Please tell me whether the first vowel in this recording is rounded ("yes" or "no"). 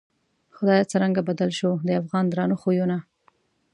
yes